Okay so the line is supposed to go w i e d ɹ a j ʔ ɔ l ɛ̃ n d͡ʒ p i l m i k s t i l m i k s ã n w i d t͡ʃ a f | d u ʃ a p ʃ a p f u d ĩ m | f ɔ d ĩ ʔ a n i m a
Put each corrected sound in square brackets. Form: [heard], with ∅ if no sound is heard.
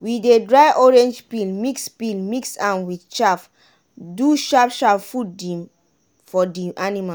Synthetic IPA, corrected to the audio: w i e d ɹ a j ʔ ɔ [ɹ] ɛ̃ n d͡ʒ p i l m i k s [p] i l m i k s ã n w i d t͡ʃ a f | d u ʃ a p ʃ a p f u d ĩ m | f ɔ d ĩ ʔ a n i m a